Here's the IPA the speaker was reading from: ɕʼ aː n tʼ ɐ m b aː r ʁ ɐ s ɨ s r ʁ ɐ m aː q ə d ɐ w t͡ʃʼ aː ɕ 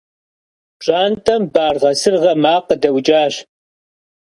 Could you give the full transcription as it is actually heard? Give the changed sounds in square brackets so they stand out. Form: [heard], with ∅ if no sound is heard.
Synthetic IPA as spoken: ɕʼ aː n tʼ ɐ m b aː r ʁ ɐ s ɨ [∅] r ʁ ɐ m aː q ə d ɐ w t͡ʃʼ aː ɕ